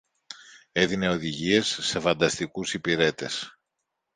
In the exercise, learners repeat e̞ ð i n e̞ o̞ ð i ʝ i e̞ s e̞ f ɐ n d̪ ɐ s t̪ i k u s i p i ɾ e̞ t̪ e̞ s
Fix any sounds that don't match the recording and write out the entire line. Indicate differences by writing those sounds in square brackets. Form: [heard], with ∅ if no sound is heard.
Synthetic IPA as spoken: e̞ ð i n e̞ o̞ ð i ʝ i e̞ [sː] e̞ f ɐ n d̪ ɐ s t̪ i k u s i p i ɾ e̞ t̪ e̞ s

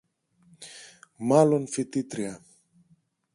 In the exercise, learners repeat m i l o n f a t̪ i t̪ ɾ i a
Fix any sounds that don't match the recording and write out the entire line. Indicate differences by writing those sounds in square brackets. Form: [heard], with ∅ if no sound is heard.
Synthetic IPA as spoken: m [a] l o n f [i] t̪ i t̪ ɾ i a

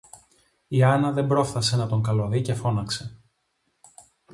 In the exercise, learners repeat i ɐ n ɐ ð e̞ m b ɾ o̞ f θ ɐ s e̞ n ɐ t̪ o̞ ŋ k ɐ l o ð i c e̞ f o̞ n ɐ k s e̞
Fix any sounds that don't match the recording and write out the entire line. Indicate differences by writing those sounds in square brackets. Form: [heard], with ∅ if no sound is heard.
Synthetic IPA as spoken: i ɐ n ɐ ð e̞ m b ɾ o̞ f θ ɐ s e̞ n ɐ t̪ o̞ ŋ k ɐ l o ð i c e̞ f o̞ n ɐ k s e̞

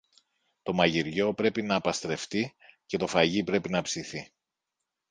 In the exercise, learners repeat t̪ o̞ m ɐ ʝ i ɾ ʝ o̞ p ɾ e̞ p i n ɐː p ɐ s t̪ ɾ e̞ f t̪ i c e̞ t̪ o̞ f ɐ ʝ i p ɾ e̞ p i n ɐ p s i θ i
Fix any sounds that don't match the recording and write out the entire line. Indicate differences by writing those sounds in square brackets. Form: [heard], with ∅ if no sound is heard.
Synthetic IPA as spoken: t̪ o̞ m ɐ ʝ i ɾ ʝ o̞ p ɾ e̞ p i n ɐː p ɐ s t̪ ɾ e̞ f t̪ i c e̞ t̪ o̞ f ɐ ʝ i p ɾ e̞ p i n ɐ p s i θ i

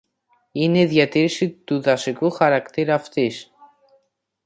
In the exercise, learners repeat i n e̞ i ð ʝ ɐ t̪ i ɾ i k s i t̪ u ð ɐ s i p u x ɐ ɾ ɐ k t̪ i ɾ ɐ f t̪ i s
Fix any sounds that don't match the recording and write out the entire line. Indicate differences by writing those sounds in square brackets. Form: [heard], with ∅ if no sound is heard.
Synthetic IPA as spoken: i n e̞ i ð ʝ ɐ t̪ i ɾ i [∅] s i t̪ u ð ɐ s i [k] u x ɐ ɾ ɐ k t̪ i ɾ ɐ f t̪ i s

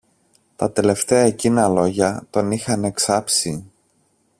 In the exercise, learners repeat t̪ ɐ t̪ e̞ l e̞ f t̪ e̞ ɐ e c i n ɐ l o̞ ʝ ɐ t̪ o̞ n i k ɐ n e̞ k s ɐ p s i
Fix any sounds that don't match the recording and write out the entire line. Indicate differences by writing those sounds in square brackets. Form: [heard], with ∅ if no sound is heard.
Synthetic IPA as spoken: t̪ ɐ t̪ e̞ l e̞ f t̪ e̞ ɐ e c i n ɐ l o̞ ʝ ɐ t̪ o̞ n i [x] ɐ n e̞ k s ɐ p s i

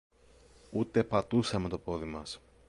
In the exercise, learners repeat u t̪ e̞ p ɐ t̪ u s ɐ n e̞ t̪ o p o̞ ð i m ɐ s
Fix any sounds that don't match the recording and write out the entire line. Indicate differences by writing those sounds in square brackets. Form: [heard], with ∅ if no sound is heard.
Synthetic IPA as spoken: u t̪ e̞ p ɐ t̪ u s ɐ [m] e̞ t̪ o p o̞ ð i m ɐ s

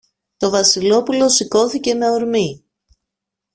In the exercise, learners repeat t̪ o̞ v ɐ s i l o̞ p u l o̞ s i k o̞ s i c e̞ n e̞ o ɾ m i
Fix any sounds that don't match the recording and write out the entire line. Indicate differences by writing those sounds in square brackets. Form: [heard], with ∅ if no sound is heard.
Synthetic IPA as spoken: t̪ o̞ v ɐ s i l o̞ p u l o̞ s i k o̞ [θ] i c e̞ [m] e̞ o ɾ m i

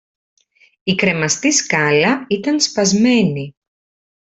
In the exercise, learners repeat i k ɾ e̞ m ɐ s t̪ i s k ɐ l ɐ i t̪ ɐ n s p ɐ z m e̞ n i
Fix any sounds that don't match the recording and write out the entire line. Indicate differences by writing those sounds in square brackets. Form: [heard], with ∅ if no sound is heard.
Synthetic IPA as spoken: i k ɾ e̞ m ɐ s t̪ i s k ɐ l ɐ i t̪ ɐ n s p ɐ z m e̞ n i

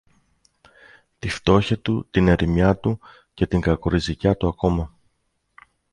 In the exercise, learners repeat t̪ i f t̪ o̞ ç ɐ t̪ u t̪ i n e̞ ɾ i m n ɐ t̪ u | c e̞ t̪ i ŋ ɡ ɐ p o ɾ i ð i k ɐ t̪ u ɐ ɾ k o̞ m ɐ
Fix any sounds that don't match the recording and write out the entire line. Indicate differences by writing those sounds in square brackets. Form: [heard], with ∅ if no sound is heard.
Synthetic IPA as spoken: t̪ i f t̪ o̞ ç ɐ t̪ u t̪ i n e̞ ɾ i m [ɲ] ɐ t̪ u | c e̞ t̪ i ŋ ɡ ɐ [k] o ɾ i [z] i [c] ɐ t̪ u ɐ [∅] k o̞ m ɐ

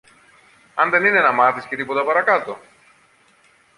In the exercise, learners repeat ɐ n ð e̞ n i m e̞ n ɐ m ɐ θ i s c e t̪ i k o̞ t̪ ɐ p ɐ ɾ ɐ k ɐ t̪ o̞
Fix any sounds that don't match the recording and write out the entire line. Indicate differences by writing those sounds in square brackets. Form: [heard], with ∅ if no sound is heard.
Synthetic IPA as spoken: ɐ n ð e̞ n i [n] e̞ n ɐ m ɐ θ i s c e t̪ i [p] o̞ t̪ ɐ p ɐ ɾ ɐ k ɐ t̪ o̞

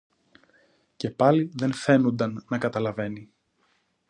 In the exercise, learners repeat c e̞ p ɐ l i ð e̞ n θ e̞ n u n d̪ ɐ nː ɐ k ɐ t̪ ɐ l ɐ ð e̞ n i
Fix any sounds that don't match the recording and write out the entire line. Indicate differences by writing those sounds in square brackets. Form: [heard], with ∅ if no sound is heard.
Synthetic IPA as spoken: c e̞ p ɐ l i ð e̞ n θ e̞ n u n d̪ ɐ nː ɐ k ɐ t̪ ɐ l ɐ [v] e̞ n i

